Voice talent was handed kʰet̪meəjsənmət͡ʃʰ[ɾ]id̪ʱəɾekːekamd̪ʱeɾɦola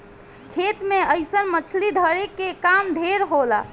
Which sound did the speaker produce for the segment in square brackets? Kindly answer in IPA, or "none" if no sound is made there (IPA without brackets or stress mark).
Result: l